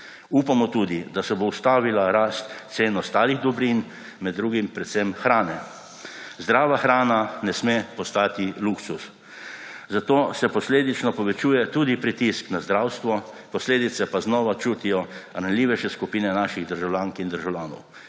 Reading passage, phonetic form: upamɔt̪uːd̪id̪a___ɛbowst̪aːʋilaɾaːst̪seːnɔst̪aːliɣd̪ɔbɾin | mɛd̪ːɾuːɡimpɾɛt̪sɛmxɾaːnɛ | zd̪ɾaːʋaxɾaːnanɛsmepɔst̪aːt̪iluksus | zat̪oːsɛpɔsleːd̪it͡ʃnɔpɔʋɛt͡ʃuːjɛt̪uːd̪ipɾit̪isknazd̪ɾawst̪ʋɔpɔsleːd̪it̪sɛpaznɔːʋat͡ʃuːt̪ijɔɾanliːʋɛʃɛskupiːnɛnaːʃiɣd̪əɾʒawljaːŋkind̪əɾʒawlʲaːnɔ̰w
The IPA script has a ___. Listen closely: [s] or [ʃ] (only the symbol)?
s